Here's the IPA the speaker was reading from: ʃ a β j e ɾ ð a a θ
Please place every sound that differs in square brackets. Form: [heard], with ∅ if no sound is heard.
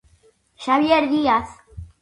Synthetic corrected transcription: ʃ a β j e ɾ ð [i] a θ